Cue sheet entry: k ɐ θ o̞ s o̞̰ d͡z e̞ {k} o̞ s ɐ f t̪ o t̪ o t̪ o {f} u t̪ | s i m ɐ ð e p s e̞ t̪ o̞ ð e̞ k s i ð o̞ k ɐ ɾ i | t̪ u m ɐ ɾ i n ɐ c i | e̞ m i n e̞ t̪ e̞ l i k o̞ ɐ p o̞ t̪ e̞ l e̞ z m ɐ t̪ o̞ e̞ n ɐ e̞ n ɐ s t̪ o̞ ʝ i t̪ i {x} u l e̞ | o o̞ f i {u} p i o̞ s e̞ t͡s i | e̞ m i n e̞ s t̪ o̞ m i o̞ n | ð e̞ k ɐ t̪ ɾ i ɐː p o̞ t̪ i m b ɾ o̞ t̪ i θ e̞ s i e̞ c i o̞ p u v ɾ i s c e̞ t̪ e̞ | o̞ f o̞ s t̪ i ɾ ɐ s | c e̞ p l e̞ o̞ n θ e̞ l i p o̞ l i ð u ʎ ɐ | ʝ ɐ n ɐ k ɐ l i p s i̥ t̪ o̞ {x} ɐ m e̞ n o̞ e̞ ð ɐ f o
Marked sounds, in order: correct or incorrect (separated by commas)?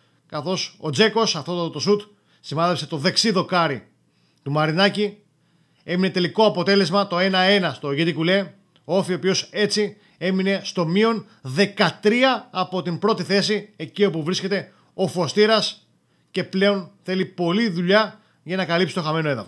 correct, incorrect, incorrect, incorrect, correct